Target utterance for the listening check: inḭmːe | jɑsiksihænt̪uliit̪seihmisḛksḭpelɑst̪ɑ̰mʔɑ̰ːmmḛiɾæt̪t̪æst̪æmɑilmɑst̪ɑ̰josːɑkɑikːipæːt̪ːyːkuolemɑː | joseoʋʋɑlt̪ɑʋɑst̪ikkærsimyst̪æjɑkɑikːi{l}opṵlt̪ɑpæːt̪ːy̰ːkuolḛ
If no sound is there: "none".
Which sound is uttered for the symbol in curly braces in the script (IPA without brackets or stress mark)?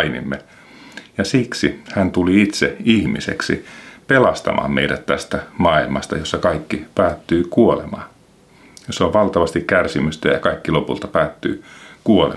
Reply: l